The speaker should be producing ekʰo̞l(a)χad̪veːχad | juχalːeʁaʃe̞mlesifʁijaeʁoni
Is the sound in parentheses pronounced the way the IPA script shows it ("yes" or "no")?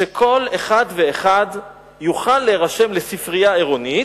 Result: no